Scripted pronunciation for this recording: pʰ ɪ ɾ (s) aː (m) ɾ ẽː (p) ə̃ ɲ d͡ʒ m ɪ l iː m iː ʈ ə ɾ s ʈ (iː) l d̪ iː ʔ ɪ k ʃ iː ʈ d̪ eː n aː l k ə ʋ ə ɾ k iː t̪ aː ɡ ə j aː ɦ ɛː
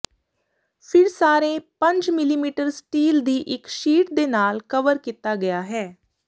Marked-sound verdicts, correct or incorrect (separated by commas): correct, incorrect, correct, correct